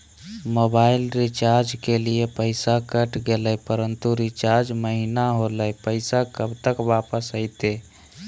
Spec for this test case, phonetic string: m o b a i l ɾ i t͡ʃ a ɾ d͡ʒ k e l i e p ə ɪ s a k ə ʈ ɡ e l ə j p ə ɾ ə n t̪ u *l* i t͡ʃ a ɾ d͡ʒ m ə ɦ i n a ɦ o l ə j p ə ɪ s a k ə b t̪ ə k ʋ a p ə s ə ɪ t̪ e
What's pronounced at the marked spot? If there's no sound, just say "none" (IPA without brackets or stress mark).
ɾ